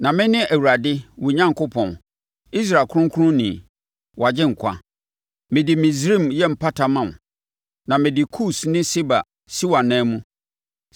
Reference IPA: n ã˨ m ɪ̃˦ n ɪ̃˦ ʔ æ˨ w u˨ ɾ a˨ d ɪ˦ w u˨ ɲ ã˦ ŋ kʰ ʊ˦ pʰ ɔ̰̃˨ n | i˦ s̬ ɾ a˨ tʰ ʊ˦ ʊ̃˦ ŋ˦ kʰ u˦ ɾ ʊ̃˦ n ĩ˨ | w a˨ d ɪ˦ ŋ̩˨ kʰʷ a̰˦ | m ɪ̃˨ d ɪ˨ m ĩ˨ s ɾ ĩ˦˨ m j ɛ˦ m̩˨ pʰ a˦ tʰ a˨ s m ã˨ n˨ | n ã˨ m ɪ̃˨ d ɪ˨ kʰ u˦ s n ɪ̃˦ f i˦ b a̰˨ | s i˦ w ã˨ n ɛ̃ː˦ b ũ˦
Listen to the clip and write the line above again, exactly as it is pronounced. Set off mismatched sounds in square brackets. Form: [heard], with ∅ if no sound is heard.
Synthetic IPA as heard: n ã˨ m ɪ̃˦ n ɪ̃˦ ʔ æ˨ w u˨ ɾ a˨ d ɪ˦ w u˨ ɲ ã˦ ŋ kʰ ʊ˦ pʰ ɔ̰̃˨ n | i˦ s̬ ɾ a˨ [kʰ] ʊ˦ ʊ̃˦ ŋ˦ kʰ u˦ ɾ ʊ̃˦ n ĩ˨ | w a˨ [d͡ʑ] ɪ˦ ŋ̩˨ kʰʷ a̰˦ | m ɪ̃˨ d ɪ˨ m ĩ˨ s ɾ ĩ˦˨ m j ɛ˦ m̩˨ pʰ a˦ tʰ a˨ [∅] m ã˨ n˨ | n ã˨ m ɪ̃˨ d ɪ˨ kʰ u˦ s n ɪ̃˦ [s] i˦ b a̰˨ | s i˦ w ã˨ n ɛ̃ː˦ [m] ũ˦